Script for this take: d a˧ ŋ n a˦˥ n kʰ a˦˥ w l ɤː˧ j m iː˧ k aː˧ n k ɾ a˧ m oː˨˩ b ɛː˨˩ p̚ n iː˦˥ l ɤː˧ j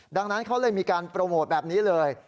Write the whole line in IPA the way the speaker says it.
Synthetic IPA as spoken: d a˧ ŋ n a˦˥ n kʰ a˦˥ w l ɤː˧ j m iː˧ k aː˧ n p ɾ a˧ m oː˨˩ b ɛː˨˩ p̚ n iː˦˥ l ɤː˧ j